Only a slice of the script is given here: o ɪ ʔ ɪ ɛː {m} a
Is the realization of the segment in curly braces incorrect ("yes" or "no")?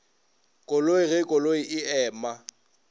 no